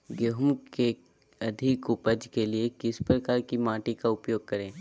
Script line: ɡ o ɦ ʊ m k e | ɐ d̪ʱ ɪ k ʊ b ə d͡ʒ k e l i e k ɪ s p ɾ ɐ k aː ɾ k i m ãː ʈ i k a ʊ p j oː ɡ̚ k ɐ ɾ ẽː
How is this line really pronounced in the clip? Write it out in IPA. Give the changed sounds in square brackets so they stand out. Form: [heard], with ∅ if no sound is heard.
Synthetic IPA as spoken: ɡ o ɦ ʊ m k e | ɐ d̪ʱ ɪ k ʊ [p] ə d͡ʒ k e l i e k ɪ s p ɾ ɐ k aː ɾ k i m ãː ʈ i k a ʊ p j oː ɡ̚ k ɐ ɾ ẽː